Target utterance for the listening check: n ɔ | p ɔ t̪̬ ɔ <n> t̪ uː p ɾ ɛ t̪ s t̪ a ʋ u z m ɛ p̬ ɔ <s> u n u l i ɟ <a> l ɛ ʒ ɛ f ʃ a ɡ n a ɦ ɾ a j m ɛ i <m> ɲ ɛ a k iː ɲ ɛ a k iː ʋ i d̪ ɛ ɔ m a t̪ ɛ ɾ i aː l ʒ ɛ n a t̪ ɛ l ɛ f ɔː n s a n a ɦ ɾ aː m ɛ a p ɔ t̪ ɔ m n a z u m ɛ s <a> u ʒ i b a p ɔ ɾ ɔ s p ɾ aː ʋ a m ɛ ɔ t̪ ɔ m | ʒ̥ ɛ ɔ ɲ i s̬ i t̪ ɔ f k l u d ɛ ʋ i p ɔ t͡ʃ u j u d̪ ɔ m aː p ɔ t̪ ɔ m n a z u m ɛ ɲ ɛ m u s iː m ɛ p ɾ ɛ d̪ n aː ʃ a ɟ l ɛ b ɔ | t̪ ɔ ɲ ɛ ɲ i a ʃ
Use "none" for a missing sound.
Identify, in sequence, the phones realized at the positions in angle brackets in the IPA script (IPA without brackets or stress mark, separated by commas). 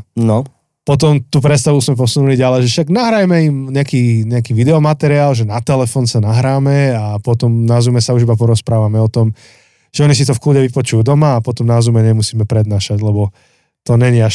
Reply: m, s, a, m, a